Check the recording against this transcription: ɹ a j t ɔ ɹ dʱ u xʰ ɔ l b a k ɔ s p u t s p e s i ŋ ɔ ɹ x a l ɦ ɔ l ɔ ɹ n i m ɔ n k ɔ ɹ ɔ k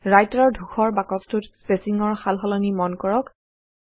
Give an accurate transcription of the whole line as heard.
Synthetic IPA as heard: ɹ a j t ɔ ɹ dʱ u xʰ ɔ ɹ b a k ɔ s t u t s p e s i ŋ ɔ ɹ x a l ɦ ɔ l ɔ n i m ɔ n k ɔ ɹ ɔ k